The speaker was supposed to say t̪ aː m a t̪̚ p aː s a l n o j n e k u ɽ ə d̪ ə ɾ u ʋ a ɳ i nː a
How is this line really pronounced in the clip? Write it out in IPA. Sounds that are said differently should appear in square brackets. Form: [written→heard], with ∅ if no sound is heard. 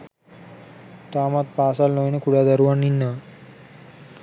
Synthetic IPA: t̪ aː m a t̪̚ p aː s a l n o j n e k u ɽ [ə→a] d̪ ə ɾ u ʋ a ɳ i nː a